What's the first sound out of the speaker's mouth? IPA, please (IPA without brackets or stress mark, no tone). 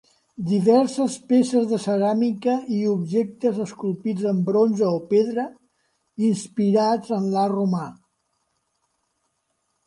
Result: d̪